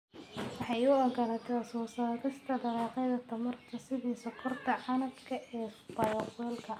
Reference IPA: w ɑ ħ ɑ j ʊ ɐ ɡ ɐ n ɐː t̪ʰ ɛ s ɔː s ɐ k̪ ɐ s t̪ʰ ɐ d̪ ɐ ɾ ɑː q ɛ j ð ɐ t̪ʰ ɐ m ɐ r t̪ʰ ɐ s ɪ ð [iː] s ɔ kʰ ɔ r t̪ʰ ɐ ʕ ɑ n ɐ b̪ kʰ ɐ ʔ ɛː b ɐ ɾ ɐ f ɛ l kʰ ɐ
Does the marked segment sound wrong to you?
no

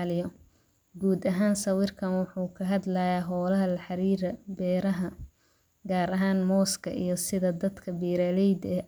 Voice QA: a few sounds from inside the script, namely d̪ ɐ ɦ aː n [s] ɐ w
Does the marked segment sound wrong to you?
no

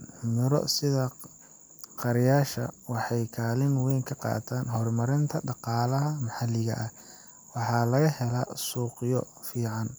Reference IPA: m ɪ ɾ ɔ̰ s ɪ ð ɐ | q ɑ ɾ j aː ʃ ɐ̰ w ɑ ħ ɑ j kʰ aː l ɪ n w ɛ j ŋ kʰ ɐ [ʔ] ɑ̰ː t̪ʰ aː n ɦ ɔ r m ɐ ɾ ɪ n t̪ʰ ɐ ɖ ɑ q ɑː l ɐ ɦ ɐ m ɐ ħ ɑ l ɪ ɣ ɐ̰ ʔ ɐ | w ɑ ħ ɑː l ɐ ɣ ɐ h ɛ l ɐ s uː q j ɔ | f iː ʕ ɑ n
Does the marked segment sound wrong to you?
yes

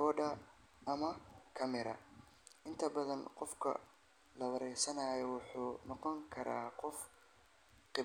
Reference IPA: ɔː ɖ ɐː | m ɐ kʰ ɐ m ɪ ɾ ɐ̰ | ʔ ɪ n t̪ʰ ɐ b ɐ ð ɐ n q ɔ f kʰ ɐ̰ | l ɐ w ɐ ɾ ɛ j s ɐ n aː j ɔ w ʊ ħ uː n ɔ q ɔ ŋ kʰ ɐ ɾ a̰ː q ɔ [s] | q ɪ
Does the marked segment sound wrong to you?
yes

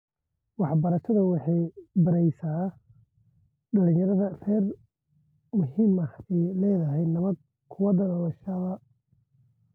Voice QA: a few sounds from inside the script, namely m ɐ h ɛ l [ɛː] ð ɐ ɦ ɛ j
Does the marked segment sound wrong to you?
no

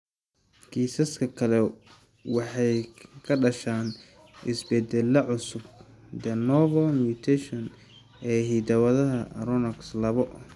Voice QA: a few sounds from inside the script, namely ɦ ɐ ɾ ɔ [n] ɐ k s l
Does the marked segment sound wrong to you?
no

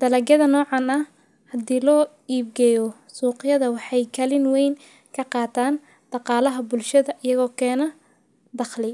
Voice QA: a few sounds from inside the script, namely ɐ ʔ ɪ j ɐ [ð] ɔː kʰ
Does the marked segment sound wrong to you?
yes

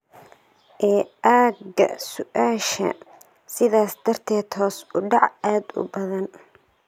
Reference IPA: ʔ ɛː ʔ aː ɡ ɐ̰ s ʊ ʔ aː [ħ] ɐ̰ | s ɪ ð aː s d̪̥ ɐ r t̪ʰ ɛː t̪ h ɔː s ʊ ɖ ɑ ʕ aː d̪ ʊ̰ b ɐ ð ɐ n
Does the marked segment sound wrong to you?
yes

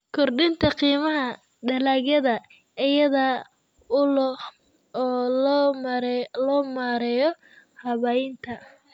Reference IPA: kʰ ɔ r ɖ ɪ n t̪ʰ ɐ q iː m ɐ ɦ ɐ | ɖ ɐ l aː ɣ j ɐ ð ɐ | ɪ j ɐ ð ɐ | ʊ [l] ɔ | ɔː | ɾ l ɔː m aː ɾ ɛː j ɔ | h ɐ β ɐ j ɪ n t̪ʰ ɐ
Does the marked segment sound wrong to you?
no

